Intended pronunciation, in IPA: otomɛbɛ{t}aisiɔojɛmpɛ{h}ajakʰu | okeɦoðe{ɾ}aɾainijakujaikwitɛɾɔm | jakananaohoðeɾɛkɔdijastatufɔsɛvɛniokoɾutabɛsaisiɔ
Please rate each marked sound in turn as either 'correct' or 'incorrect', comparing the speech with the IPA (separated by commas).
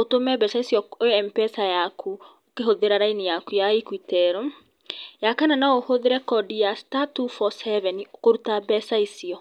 incorrect, incorrect, correct